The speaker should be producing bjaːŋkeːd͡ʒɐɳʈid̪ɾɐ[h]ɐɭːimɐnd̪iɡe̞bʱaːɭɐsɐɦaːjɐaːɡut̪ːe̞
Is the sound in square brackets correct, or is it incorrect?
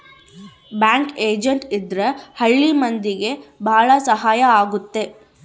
correct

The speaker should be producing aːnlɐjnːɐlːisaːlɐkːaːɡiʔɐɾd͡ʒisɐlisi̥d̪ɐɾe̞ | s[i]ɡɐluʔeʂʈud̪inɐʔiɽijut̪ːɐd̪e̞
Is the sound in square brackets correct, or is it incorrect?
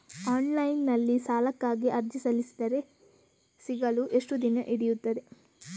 correct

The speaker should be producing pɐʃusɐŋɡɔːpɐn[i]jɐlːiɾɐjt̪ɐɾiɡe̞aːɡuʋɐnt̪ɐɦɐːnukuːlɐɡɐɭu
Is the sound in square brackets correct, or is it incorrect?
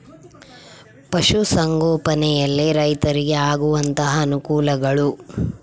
incorrect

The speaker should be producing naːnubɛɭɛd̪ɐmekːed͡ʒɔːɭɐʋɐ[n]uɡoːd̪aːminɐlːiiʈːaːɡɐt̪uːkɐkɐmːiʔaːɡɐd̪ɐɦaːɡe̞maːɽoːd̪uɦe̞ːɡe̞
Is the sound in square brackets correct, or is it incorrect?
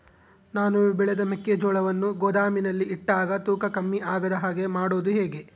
incorrect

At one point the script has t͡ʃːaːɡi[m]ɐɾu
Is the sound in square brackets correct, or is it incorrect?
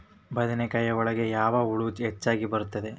incorrect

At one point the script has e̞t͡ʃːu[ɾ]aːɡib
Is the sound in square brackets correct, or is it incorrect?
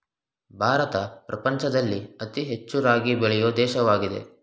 correct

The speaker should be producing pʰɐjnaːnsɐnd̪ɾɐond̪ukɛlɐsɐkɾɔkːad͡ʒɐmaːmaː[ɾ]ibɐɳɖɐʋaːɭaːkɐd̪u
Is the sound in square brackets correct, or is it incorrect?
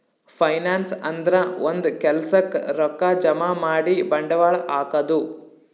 incorrect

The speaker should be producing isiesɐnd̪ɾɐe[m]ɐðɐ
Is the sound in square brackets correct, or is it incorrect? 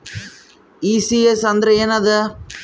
incorrect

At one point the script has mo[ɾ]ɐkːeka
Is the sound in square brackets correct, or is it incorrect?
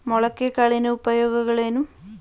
incorrect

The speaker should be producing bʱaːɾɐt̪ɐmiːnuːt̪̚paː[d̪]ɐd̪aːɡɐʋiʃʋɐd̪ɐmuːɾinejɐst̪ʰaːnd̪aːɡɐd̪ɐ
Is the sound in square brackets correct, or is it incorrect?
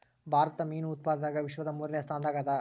correct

